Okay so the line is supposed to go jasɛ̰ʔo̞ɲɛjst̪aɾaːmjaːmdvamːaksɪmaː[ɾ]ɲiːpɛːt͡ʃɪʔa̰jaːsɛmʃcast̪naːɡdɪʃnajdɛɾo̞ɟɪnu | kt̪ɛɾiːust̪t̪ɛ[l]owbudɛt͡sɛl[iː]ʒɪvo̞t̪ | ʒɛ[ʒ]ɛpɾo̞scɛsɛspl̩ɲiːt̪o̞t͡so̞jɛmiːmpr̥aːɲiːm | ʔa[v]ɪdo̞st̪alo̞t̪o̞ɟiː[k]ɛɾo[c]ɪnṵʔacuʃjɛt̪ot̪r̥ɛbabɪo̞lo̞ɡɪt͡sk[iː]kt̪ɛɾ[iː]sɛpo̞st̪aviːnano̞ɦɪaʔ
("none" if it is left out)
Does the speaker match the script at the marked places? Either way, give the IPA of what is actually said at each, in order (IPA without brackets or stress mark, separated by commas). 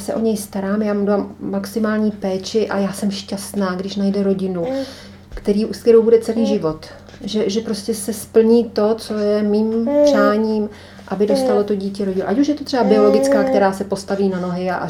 l, ɾ, iː, ʒ, b, c, ɟ, aː, aː